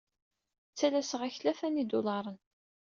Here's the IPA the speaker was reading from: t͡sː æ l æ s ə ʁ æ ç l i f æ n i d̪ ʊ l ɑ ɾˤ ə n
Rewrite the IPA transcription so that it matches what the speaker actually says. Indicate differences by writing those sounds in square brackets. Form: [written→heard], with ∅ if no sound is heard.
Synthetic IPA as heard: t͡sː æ l æ s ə ʁ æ ç l [i→æ] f æ n i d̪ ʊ l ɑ ɾˤ ə n